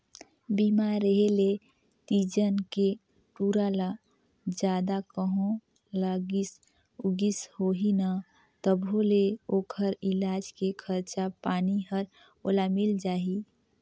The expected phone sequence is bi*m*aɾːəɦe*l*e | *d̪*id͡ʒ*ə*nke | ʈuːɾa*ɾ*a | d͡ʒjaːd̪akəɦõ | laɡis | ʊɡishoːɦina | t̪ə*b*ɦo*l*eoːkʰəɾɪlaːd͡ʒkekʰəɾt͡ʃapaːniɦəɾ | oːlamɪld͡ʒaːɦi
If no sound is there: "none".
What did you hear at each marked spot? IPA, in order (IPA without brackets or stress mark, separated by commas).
m, l, t̪, ə, l, b, l